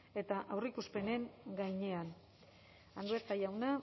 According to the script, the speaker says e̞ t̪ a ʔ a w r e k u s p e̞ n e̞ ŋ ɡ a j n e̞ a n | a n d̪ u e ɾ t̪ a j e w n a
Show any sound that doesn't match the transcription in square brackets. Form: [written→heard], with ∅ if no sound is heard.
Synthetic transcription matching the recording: e̞ t̪ a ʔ a w r [e→i] k u s p e̞ n e̞ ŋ ɡ a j [n→ɲ] e̞ a n | a n d̪ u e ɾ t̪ a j [e→a] w n a